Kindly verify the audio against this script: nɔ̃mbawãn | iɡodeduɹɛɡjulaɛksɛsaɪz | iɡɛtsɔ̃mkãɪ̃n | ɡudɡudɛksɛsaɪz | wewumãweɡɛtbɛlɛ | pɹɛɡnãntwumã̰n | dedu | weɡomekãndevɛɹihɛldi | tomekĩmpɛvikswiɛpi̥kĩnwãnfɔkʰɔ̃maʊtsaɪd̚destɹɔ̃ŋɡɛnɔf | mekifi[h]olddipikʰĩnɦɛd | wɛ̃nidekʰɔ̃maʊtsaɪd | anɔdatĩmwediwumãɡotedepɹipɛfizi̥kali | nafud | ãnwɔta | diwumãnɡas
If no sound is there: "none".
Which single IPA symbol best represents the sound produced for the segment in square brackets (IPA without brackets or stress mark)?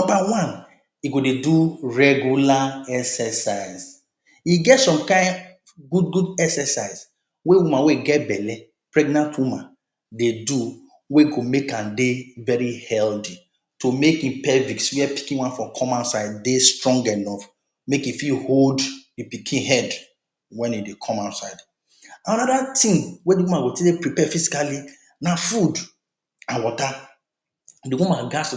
h